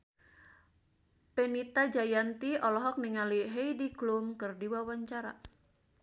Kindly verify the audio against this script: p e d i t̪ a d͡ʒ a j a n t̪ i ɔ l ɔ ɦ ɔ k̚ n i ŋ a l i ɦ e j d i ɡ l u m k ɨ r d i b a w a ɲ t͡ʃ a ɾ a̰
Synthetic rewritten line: p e n i t̪ a d͡ʒ a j a n t̪ i ɔ l ɔ ɦ ɔ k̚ n i ŋ a l i ɦ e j d i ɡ l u m k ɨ r d i w a w a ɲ t͡ʃ a ɾ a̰